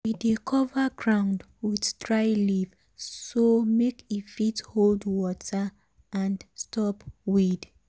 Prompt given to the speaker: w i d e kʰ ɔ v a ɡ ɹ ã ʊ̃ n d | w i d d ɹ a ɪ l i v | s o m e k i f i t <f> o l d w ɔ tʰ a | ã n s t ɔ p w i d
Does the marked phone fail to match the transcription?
yes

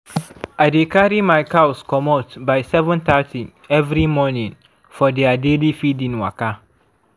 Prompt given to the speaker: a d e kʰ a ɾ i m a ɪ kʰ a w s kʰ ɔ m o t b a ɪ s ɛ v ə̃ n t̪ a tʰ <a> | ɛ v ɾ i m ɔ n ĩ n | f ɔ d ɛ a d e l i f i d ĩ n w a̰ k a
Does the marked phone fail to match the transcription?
yes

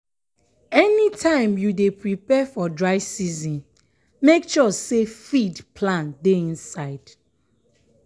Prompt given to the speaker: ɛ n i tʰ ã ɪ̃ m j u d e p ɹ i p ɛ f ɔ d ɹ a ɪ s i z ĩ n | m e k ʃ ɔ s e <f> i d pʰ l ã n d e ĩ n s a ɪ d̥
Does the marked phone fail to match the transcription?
no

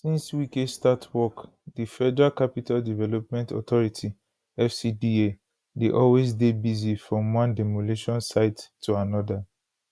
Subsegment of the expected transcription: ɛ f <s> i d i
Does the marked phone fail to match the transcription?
no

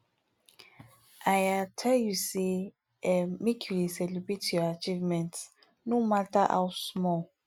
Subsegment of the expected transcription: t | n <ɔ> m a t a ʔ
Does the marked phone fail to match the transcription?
yes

